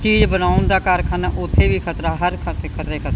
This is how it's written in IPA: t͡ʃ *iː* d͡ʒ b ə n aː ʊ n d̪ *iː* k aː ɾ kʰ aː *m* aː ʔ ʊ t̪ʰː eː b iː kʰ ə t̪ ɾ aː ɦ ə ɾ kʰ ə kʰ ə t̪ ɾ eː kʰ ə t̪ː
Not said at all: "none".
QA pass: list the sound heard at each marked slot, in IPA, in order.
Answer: iː, aː, n

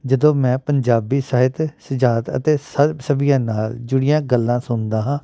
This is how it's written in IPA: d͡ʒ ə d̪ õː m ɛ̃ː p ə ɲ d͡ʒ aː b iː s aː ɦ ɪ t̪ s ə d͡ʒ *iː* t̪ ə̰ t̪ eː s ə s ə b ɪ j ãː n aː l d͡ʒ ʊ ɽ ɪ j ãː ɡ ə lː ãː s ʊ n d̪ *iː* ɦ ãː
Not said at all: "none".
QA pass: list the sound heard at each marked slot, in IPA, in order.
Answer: aː, aː

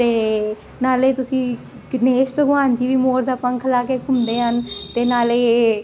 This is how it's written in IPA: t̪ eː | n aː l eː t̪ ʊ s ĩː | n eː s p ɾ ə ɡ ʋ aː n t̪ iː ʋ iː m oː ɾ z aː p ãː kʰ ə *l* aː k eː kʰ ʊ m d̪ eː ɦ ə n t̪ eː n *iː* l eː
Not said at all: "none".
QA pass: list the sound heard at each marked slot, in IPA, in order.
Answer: l, aː

